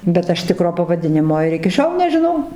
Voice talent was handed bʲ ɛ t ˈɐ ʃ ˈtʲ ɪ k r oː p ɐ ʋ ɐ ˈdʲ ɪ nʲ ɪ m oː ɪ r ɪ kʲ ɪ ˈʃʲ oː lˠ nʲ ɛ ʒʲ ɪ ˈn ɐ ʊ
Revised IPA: bʲ ɛ t ˈɐ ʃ ˈtʲ ɪ k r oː p ɐ ʋ ɐ ˈdʲ ɪ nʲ ɪ m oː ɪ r ɪ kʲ ɪ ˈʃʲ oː lˠ nʲ ɛ ʒʲ ɪ ˈn ɐ ʊ